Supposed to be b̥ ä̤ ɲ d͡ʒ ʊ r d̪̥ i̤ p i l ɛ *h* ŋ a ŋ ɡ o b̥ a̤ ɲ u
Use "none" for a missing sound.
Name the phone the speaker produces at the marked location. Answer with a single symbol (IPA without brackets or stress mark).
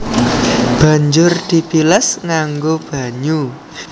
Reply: s